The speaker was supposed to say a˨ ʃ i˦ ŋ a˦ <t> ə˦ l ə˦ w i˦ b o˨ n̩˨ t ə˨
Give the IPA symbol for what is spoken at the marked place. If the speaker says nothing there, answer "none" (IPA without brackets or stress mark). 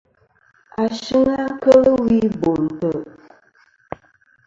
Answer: k